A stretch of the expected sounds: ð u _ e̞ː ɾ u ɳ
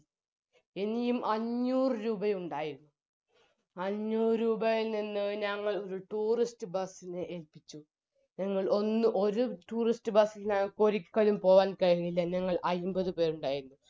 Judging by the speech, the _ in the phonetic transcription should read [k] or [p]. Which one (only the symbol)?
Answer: p